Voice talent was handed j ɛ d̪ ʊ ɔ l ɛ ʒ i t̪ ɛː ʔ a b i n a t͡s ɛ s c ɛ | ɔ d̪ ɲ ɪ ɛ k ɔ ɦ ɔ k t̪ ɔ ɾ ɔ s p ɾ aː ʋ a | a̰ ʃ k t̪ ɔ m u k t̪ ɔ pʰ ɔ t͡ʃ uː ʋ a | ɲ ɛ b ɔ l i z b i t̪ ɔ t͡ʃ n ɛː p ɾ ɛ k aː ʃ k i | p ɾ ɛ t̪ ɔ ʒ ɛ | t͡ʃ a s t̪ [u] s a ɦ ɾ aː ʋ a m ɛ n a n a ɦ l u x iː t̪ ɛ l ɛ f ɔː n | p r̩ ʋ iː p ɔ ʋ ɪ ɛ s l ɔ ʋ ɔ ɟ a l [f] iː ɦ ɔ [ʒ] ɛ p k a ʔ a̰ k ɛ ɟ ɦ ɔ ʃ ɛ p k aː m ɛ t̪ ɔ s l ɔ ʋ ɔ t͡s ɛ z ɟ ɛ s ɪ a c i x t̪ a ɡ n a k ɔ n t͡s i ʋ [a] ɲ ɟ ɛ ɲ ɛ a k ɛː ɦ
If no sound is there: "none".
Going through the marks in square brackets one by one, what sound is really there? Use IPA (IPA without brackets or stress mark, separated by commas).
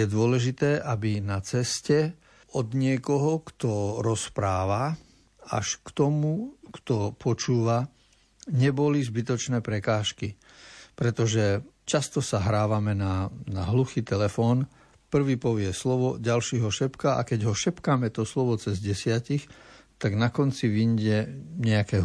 ɔ, ʃ, ʃ, i